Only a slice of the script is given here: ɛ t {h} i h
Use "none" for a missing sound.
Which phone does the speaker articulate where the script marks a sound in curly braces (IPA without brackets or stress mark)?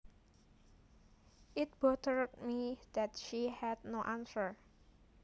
ʃ